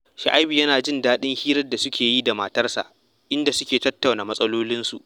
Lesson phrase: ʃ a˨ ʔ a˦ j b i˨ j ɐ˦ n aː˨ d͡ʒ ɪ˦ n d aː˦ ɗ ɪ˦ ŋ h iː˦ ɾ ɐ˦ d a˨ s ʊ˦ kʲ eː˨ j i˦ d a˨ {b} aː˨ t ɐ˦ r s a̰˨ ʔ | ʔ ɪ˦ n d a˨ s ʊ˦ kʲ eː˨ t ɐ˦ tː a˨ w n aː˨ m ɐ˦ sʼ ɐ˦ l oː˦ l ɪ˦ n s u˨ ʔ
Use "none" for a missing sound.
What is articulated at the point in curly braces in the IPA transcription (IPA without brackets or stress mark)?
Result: m